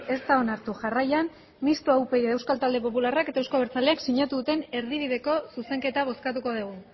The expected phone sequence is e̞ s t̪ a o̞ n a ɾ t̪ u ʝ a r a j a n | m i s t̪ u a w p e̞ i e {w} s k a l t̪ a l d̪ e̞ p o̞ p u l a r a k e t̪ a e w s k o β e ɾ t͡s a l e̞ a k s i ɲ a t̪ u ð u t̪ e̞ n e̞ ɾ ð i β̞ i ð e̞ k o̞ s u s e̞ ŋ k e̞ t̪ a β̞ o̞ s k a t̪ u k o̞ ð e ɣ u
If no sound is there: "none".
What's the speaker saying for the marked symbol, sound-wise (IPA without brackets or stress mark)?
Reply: w